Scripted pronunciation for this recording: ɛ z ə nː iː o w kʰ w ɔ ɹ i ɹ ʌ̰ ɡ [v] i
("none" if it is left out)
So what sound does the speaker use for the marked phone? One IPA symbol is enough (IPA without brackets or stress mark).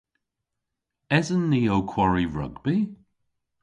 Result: b